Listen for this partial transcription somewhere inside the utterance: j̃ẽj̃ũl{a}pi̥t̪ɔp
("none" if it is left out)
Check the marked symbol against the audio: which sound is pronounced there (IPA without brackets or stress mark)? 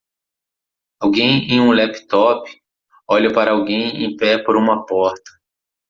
ɛ